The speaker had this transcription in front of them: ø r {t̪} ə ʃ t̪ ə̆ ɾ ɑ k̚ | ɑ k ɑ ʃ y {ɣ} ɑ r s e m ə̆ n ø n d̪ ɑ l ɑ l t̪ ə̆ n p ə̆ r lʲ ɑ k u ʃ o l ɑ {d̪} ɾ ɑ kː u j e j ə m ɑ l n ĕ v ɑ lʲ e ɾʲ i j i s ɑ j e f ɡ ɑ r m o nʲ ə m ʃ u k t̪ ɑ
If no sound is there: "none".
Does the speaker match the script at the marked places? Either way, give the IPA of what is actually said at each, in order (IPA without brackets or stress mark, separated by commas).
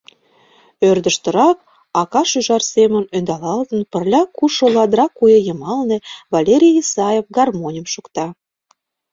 d̪, ʒ, d̪